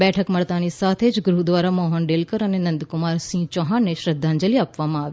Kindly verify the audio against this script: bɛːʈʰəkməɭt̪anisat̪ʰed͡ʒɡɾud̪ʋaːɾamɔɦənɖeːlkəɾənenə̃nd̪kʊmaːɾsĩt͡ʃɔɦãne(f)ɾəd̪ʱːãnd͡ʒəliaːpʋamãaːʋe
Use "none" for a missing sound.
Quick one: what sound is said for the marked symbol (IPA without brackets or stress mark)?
ʃ